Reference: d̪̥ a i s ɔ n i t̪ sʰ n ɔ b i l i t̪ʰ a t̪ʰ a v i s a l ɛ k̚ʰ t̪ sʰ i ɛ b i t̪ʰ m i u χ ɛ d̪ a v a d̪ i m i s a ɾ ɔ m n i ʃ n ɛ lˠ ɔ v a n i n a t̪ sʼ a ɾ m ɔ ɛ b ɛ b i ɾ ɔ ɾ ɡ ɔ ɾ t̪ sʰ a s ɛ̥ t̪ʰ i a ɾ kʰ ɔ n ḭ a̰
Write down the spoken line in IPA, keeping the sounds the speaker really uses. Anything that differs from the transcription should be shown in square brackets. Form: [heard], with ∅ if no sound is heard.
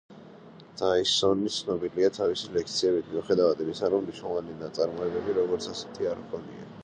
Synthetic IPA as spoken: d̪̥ a i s ɔ n i t̪ sʰ n ɔ b i l i [∅] a t̪ʰ a v i s [i] l ɛ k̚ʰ t̪ sʰ i ɛ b i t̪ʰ m i u χ ɛ d̪ a v a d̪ i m i s a ɾ ɔ m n i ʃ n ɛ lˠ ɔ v a n i n a t̪ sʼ a ɾ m ɔ ɛ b ɛ b i ɾ ɔ [∅] ɡ ɔ ɾ t̪ sʰ a s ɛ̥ t̪ʰ i a ɾ kʰ ɔ n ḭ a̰